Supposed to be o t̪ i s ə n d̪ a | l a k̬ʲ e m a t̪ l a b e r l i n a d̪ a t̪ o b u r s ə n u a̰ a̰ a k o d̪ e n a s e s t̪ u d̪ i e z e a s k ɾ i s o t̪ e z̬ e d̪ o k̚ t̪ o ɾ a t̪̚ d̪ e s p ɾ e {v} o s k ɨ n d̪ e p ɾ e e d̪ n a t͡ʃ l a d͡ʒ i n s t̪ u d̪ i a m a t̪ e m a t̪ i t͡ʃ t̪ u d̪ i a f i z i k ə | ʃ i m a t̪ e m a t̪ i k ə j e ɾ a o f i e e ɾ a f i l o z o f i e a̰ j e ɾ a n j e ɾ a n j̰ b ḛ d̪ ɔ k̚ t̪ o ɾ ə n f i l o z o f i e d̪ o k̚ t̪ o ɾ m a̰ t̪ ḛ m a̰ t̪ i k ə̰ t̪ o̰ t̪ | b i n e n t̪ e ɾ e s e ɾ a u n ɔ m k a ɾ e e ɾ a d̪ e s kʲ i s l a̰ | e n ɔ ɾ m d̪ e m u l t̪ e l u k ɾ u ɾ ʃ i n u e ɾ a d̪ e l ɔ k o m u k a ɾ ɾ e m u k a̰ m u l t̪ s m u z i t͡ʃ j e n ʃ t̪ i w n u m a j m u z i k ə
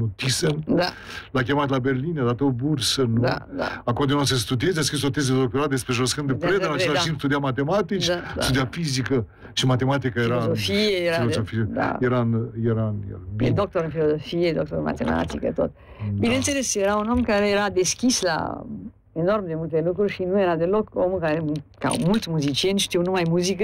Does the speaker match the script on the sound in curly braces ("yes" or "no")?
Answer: no